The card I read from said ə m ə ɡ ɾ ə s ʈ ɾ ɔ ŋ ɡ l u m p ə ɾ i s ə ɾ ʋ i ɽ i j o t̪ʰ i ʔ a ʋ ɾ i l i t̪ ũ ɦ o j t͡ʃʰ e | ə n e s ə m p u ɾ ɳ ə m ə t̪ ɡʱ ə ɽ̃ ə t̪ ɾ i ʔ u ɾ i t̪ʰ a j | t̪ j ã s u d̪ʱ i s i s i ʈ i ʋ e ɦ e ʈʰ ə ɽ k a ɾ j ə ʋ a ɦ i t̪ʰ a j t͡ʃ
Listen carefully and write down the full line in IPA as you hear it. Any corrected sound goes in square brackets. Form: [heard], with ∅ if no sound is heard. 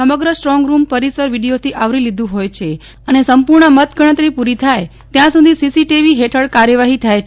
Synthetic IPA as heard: ə m ə ɡ ɾ ə s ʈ ɾ ɔ ŋ ɡ [ɾ] u m p ə ɾ i s ə ɾ ʋ i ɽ i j o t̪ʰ i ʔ a ʋ ɾ i l i [d̪] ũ ɦ o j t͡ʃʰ e | ə n e s ə m p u ɾ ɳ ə m ə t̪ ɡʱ ə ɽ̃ ə t̪ ɾ i [p] u ɾ i t̪ʰ a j | t̪ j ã s u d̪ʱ i s i s i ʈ i ʋ [i] ɦ e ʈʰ ə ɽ k a ɾ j ə ʋ a ɦ i t̪ʰ a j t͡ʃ

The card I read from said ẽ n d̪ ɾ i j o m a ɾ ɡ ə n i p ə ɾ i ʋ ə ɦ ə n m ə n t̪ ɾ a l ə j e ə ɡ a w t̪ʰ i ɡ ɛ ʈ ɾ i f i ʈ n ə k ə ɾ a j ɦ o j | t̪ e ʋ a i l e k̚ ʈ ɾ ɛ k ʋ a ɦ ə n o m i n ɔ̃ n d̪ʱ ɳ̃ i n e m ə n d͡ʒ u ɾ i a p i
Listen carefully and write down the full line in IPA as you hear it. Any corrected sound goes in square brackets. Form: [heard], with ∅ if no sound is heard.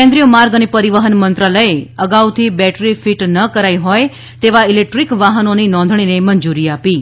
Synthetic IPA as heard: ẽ n d̪ ɾ i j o m a ɾ ɡ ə n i p ə ɾ i ʋ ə ɦ ə n m ə n t̪ ɾ a l ə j e ə ɡ a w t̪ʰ i [b] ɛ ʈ ɾ i f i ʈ n ə k ə ɾ a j ɦ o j | t̪ e ʋ a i l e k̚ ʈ ɾ [i] k ʋ a ɦ ə n o [n] i n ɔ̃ n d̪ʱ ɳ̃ i n e m ə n d͡ʒ u ɾ i a p i

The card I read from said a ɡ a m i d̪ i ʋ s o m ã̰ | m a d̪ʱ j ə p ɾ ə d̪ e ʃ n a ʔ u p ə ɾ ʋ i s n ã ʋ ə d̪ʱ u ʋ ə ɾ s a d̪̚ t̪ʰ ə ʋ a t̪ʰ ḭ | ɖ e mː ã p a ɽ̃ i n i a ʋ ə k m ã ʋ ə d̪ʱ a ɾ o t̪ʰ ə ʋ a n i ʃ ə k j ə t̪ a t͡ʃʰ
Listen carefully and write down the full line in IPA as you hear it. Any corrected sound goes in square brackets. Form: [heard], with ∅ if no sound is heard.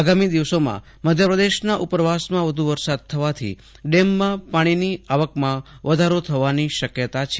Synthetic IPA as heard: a ɡ a m i d̪ i ʋ s o m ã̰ | m [ə] d̪ʱ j ə p ɾ ə d̪ e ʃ n a ʔ u p ə ɾ ʋ [a] s [m] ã ʋ ə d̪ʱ u ʋ ə ɾ s a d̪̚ t̪ʰ ə ʋ a t̪ʰ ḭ | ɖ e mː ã p a ɽ̃ i n i a ʋ ə k m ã ʋ ə d̪ʱ a ɾ o t̪ʰ ə ʋ a n i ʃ ə k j ə t̪ a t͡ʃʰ

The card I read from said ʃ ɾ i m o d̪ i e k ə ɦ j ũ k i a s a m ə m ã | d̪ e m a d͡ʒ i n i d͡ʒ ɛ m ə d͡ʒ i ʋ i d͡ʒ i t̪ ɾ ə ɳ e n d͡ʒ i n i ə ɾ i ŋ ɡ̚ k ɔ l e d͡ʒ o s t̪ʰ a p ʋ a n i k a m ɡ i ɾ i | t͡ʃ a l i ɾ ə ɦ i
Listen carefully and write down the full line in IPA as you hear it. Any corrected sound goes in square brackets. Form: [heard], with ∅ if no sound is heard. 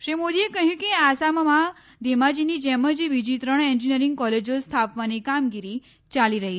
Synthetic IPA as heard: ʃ ɾ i m o d̪ i e k ə ɦ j ũ k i a s a m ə m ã | d̪ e m a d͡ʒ i n i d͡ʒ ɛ m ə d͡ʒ i ʋ i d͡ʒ i t̪ ɾ ə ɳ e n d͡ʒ i n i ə ɾ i ŋ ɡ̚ k ɔ l e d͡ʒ o s t̪ʰ a p ʋ a n i k a m ɡ i ɾ i | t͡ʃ a l i ɾ ə ɦ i

